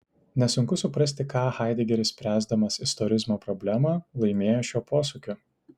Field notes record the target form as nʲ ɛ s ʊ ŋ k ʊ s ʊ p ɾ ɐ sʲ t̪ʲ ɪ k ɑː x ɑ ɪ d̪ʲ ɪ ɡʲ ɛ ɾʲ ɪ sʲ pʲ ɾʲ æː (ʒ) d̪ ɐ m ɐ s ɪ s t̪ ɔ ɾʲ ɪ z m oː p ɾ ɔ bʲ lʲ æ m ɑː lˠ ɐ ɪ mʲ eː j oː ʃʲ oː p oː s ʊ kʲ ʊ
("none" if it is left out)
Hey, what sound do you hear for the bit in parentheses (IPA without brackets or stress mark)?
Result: z